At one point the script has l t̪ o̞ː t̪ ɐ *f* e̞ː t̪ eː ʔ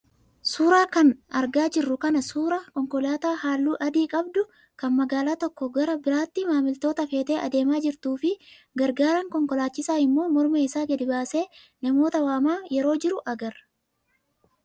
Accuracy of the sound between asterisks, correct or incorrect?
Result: correct